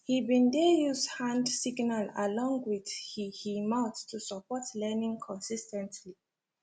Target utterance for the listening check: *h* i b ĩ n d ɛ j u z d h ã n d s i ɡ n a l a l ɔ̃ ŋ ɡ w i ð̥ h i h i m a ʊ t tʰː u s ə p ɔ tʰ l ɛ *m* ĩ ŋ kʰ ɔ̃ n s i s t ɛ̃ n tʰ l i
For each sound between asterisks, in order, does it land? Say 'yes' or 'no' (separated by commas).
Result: yes, no